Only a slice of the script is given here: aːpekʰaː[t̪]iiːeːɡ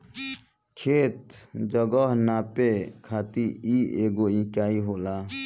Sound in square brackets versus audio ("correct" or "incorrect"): correct